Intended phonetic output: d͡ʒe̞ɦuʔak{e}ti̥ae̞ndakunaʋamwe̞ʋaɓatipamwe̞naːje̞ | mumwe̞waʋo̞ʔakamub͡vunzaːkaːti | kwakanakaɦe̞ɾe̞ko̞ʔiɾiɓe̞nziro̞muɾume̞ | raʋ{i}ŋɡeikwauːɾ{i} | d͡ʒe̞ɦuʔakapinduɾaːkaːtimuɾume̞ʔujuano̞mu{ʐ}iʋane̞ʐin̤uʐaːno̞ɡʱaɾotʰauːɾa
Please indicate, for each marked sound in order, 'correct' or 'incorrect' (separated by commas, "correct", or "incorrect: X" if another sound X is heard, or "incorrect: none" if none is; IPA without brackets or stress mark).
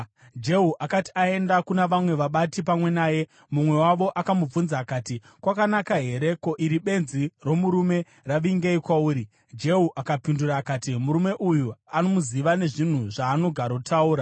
incorrect: a, correct, correct, incorrect: z